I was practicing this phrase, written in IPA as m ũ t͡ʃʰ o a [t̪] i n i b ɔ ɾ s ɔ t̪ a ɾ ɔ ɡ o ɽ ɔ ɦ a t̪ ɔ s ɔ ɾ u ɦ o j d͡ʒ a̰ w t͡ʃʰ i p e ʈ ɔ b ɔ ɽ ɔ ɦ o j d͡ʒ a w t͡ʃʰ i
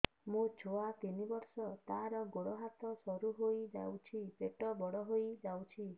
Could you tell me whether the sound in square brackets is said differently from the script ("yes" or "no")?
no